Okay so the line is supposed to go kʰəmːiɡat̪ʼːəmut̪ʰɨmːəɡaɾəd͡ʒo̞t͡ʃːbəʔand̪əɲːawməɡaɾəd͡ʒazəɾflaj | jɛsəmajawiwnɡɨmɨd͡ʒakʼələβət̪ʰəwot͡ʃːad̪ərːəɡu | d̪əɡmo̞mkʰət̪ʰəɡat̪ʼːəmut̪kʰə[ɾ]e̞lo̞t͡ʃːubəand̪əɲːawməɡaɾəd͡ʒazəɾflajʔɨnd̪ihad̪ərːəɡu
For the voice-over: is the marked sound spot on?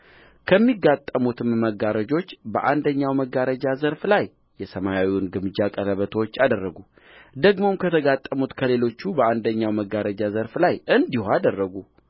no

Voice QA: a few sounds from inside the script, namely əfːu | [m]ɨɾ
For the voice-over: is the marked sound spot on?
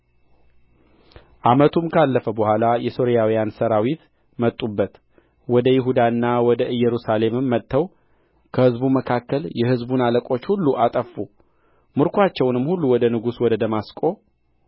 yes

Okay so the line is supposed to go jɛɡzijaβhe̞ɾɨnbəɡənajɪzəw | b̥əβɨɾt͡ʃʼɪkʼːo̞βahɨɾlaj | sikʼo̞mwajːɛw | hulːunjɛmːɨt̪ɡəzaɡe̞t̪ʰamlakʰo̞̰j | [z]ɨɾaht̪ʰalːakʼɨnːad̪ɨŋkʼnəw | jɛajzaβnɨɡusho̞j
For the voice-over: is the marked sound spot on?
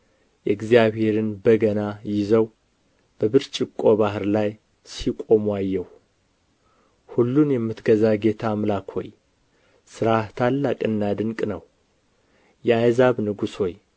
no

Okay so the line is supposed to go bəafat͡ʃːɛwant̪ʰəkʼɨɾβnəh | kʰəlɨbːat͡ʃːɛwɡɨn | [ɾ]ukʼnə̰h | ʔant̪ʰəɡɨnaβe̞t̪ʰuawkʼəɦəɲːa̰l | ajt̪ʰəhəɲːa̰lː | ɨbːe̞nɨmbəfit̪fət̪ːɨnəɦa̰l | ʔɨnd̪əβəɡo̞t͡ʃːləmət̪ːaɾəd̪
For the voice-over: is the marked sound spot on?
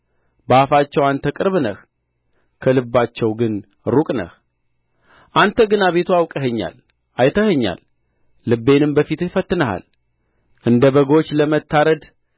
yes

